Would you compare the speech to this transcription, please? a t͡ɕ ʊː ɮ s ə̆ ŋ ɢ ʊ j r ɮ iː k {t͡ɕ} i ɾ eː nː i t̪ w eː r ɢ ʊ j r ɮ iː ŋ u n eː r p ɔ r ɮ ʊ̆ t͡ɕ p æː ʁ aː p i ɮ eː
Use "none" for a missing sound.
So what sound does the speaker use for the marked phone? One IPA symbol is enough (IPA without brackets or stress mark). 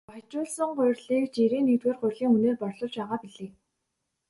t͡ɕ